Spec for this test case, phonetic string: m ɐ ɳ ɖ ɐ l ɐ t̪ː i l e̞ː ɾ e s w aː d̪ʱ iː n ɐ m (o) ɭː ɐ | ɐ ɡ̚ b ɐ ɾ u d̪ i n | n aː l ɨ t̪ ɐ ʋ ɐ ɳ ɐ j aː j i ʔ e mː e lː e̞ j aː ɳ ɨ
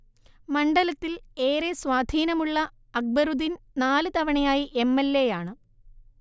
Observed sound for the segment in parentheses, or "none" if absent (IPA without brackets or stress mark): u